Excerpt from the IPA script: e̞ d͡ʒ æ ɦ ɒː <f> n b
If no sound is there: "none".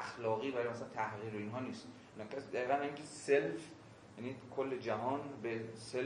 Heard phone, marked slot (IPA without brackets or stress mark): none